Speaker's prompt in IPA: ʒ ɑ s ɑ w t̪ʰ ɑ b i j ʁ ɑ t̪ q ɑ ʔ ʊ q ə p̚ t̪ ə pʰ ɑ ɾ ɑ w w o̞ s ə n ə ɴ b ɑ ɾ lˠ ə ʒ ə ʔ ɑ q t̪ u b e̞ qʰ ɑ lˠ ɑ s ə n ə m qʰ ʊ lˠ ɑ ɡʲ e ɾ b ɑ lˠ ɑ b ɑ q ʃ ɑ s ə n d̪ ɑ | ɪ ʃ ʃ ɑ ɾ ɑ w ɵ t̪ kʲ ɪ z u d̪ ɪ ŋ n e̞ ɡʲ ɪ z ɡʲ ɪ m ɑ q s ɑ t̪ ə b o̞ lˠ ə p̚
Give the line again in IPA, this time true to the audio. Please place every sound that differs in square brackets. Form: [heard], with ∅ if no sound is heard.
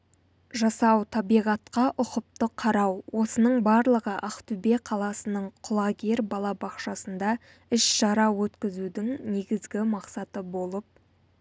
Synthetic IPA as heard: ʒ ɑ s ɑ w t̪ʰ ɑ b i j ʁ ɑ t̪ q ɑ ʔ ʊ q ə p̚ t̪ ə [qʰ] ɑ ɾ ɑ w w o̞ s ə n ə ɴ b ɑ ɾ lˠ ə [ʁ] ə ʔ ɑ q t̪ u b e̞ qʰ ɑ lˠ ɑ s ə n ə [ɴ] qʰ ʊ lˠ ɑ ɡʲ e ɾ b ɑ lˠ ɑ b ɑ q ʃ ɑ s ə n d̪ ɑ | ɪ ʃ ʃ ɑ ɾ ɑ w ɵ t̪ kʲ ɪ z u d̪ ɪ ŋ n e̞ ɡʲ ɪ z ɡʲ ɪ m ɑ q s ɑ t̪ ə b o̞ lˠ ə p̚